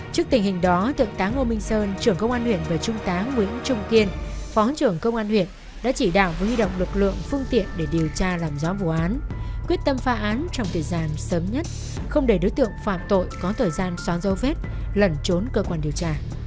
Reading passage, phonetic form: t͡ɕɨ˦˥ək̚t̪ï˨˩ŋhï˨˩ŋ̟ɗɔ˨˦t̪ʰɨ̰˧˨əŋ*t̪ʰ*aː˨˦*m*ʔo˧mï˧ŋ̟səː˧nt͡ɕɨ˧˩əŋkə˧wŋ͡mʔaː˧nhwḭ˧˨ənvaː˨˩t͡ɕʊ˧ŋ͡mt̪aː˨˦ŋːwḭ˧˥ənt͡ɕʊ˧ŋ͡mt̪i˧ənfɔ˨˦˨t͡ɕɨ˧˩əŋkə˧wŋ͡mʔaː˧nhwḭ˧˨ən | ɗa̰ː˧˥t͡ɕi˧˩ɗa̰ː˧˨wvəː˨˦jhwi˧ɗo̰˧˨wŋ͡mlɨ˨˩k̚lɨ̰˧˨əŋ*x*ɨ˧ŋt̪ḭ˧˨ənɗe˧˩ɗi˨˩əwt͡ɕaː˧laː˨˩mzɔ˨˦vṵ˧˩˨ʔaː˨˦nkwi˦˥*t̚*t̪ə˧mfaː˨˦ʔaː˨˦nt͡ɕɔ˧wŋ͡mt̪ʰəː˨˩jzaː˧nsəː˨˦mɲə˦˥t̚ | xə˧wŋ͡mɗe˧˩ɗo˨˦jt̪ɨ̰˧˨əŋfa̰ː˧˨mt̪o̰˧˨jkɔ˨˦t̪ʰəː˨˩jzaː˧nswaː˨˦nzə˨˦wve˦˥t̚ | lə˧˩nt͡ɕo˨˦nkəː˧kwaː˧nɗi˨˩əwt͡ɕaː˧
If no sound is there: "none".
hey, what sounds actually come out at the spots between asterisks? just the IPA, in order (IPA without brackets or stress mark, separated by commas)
t̪, ŋ, f, t̚